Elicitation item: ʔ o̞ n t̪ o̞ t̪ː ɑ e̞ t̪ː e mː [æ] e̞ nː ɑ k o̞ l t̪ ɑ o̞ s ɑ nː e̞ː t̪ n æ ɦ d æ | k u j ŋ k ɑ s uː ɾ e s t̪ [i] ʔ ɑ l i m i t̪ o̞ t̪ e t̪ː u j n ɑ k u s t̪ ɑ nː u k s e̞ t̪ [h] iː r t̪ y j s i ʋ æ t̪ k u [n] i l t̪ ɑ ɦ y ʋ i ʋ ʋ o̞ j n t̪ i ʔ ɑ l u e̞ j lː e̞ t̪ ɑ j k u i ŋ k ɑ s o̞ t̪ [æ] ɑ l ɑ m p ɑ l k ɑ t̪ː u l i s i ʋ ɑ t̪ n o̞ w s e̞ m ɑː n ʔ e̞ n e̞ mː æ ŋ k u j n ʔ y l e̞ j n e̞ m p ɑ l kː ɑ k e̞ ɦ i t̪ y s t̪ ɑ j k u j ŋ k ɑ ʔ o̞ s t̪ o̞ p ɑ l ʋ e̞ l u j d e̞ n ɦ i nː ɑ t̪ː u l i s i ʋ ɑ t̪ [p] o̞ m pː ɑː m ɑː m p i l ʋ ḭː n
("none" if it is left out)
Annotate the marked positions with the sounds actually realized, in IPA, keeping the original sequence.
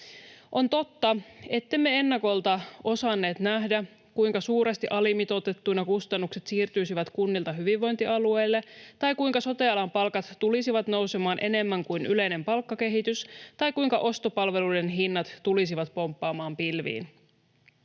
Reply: e, i, s, nː, e, p

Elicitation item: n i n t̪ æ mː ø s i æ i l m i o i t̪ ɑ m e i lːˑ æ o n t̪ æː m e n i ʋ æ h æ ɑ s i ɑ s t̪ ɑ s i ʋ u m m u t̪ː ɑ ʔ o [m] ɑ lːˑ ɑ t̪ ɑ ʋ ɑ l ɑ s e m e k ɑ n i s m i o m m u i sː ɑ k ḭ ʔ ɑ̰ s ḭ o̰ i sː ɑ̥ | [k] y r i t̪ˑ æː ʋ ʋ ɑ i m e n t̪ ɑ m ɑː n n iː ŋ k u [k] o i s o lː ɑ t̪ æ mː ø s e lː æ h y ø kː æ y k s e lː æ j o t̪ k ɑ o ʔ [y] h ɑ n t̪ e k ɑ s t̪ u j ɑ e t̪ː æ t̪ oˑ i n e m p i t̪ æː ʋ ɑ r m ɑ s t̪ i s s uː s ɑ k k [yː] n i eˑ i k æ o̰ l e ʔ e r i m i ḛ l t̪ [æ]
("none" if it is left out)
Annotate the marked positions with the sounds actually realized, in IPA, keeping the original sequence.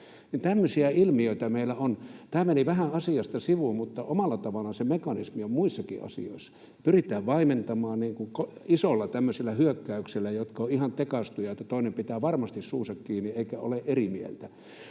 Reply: m, p, k, i, iː, æ

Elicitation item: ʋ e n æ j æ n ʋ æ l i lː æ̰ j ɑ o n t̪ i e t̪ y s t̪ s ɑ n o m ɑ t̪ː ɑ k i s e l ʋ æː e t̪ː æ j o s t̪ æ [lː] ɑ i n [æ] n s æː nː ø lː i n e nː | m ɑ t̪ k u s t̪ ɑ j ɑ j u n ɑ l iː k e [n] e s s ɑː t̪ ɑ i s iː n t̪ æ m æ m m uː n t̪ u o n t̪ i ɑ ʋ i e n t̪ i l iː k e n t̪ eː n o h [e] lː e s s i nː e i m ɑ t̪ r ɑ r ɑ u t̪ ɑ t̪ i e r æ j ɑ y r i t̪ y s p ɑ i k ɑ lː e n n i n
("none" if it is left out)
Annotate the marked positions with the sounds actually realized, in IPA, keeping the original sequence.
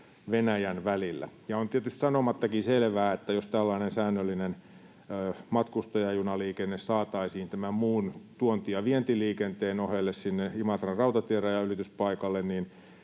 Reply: lː, e, nː, e

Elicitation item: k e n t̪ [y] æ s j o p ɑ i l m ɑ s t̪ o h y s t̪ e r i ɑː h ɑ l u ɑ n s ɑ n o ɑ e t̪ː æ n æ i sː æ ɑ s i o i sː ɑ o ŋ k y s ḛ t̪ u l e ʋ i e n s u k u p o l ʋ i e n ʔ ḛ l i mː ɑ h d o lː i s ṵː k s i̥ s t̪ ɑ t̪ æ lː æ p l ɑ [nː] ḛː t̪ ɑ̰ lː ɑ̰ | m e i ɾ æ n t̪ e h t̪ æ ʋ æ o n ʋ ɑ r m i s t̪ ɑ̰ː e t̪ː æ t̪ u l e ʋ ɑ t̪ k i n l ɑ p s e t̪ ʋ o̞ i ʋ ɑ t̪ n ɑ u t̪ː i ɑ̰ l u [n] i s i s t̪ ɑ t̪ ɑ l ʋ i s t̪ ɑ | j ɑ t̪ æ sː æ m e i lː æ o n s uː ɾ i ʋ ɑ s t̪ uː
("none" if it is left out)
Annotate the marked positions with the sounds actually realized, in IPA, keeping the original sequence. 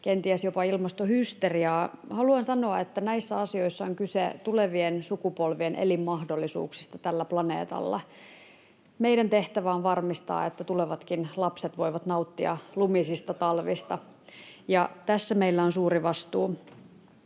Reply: i, n, m

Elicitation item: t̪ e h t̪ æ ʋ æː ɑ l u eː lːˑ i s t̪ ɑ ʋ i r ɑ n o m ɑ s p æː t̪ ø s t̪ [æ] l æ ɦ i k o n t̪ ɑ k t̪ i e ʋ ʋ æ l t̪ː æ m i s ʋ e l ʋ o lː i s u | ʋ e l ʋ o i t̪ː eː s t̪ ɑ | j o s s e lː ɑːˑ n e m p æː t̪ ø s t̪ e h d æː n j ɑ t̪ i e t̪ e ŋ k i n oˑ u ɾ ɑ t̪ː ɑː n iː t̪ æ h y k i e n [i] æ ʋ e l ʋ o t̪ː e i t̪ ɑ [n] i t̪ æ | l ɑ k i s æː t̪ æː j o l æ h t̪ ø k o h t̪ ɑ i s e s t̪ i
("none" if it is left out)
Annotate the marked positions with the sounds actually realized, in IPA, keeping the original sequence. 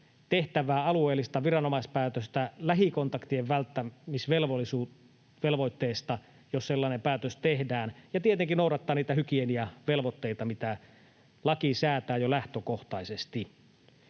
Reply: æ, i, m

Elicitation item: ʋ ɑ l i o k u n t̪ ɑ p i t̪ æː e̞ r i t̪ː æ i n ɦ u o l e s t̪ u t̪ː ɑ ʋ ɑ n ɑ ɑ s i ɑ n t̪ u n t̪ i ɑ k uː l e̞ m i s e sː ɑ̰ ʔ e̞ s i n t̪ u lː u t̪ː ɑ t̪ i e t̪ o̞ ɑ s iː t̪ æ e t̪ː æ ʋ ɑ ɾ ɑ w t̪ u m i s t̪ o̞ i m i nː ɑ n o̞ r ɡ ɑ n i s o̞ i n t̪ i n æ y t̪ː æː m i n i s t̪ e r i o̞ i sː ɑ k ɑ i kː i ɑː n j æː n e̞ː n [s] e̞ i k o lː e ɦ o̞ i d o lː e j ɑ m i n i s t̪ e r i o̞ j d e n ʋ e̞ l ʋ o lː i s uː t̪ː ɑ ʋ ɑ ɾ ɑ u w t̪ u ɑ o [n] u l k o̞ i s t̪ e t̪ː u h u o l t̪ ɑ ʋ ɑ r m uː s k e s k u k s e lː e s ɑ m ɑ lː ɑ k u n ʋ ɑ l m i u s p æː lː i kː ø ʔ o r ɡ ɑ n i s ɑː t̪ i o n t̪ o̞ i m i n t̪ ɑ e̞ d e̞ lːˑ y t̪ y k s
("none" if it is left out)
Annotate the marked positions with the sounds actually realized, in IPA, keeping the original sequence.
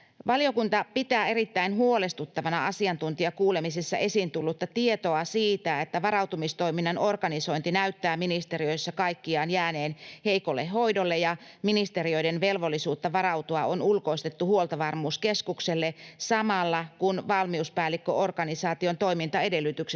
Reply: h, n

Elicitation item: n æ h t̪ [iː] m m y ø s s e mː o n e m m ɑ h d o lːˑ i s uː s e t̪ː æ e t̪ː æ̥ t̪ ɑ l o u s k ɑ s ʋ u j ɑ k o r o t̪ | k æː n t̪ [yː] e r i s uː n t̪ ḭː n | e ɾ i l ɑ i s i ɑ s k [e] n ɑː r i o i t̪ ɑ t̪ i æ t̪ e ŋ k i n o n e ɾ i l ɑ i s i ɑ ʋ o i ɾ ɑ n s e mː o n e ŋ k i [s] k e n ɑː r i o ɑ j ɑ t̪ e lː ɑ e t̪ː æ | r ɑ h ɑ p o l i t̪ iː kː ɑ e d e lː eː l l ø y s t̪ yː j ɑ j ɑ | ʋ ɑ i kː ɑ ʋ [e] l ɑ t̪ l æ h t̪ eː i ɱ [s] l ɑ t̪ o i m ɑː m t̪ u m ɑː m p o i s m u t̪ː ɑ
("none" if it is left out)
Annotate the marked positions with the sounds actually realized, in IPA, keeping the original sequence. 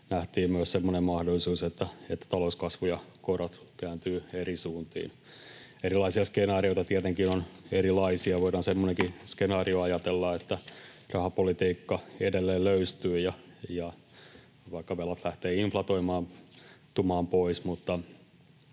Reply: iː, yː, e, s, e, f

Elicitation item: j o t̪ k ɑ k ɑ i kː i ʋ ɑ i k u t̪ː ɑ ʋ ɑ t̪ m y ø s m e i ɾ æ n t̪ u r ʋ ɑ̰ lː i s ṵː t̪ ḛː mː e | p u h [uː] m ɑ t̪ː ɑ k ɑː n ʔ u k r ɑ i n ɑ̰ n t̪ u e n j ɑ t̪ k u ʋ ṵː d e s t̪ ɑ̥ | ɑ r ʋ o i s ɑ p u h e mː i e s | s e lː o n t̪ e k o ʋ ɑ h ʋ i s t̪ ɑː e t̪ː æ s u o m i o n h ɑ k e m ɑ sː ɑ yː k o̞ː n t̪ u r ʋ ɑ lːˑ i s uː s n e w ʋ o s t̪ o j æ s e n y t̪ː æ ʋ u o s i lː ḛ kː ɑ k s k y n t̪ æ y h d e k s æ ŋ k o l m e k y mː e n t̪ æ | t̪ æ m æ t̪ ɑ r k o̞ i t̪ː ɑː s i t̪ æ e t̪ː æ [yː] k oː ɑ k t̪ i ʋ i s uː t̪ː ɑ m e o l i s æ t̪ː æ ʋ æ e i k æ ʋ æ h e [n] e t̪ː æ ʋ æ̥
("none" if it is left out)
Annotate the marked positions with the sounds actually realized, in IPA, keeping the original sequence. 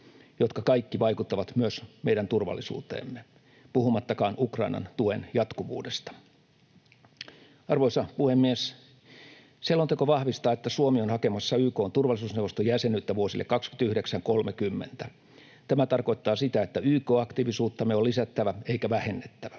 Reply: u, yː, nː

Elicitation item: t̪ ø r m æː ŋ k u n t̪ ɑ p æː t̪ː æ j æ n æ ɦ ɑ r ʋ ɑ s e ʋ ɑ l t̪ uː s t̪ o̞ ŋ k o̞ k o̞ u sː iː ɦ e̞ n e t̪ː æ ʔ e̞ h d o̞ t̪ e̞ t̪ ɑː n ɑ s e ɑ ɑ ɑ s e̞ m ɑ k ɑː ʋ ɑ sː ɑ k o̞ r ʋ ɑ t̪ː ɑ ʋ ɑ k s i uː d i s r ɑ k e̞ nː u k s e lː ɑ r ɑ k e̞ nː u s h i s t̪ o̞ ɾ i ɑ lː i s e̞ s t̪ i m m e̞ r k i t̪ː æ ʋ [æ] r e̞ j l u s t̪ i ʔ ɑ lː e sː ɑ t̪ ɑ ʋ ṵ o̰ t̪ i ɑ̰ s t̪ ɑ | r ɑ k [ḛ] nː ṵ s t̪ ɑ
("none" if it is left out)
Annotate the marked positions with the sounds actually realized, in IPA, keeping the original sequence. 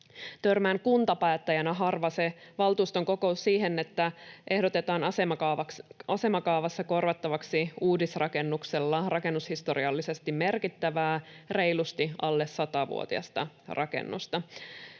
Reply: æː, ḛ

